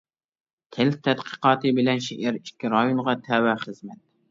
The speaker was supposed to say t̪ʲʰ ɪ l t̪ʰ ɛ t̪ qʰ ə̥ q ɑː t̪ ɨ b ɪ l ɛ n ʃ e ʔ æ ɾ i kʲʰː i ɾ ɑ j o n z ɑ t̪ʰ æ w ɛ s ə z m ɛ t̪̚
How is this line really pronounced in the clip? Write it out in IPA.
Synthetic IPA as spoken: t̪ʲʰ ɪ l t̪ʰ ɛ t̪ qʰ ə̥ q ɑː t̪ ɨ b ɪ l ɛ n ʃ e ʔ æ ɾ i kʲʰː i ɾ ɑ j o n ʁ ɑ t̪ʰ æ w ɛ χ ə z m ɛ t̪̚